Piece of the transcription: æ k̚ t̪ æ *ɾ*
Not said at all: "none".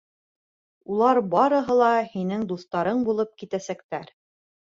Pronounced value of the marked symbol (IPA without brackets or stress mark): ɾ